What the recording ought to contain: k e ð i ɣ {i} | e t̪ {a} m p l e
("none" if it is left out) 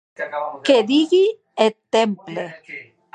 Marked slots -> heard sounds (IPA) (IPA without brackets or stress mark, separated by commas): i, e